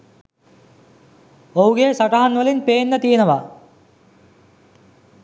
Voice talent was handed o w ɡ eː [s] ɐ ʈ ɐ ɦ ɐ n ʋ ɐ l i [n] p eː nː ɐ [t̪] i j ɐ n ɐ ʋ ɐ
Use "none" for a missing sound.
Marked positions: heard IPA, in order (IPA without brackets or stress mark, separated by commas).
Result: s, n, t̪